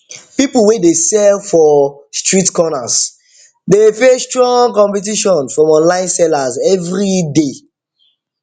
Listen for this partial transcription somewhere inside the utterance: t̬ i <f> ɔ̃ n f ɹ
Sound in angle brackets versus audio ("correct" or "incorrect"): incorrect